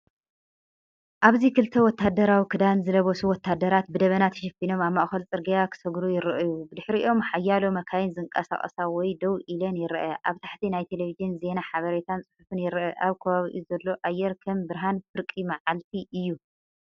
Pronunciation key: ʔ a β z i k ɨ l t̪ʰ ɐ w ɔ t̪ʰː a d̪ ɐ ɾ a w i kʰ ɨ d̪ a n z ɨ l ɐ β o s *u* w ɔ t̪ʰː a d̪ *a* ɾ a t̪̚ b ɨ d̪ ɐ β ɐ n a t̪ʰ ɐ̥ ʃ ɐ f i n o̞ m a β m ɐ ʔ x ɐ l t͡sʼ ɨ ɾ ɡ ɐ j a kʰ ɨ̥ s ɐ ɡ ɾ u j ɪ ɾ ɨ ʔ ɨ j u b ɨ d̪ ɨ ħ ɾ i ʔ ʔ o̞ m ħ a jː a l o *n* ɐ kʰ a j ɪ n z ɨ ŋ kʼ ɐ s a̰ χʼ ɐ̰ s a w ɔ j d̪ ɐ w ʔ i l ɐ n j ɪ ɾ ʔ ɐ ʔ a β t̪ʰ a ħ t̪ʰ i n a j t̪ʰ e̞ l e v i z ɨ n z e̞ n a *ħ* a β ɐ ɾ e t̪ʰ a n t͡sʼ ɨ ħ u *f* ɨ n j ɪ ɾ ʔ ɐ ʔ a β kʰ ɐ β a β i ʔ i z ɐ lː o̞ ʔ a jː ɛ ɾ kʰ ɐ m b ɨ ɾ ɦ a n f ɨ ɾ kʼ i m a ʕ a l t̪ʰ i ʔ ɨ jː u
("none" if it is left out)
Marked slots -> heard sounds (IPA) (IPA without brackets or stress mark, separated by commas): u, ɐ, m, ħ, f